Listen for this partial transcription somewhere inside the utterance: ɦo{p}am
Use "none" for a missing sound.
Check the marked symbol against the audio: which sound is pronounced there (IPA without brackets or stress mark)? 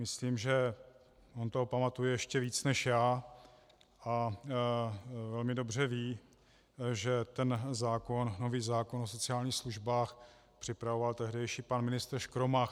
p